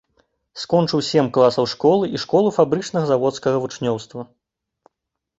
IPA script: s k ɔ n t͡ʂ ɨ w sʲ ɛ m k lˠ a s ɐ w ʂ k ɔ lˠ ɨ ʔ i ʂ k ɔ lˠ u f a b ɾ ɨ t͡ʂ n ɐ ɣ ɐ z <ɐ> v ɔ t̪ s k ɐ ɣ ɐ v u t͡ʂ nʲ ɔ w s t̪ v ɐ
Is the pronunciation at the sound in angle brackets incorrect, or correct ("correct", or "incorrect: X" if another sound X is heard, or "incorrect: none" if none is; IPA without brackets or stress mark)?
incorrect: a